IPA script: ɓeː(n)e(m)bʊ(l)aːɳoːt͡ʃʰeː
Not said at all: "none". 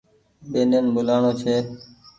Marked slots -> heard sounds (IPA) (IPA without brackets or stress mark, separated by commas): n, n, l